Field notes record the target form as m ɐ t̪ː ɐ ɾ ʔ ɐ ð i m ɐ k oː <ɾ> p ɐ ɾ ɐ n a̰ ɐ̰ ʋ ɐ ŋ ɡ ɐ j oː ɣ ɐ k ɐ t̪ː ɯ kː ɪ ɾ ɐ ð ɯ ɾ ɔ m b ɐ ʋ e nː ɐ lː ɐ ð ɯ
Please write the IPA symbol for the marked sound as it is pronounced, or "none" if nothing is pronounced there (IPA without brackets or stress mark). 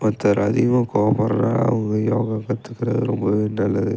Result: none